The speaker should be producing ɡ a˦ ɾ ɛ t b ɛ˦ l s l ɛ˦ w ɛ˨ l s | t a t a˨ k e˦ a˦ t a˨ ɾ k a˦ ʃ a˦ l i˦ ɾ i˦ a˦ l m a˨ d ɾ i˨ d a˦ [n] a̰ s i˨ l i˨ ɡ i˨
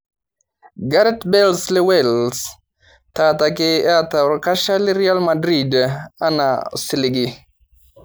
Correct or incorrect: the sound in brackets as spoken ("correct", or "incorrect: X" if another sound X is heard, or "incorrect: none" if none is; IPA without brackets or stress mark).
correct